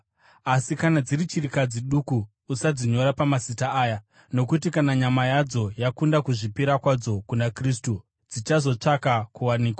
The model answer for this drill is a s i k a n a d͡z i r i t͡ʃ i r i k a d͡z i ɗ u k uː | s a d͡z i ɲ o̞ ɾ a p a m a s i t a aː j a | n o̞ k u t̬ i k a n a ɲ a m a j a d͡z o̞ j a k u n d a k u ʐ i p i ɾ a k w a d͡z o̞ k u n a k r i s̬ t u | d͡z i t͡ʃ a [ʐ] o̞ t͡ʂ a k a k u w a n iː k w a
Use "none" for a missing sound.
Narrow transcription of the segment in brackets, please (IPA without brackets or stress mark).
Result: z